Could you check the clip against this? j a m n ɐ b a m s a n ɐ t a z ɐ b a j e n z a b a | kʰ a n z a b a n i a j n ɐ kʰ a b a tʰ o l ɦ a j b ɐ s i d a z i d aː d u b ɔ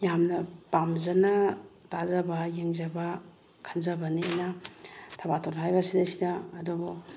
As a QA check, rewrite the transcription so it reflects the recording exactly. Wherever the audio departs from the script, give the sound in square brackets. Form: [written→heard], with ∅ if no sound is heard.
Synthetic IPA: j a m n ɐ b a m [s→z] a n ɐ t a z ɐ b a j e [n→ŋ] z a b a | kʰ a n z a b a n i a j n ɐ [kʰ→tʰ] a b a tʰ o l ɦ a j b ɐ s i d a [z→s] i d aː d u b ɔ